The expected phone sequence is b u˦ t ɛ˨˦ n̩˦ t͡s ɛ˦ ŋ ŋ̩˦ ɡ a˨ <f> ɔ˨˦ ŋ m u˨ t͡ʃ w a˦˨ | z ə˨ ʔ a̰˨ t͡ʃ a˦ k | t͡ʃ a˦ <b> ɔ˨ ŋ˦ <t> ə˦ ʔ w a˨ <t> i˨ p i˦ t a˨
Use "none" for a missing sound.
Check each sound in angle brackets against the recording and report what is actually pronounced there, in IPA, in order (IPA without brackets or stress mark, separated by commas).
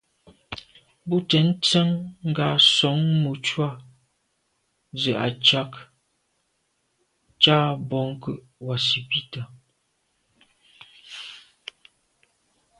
s, b, k, s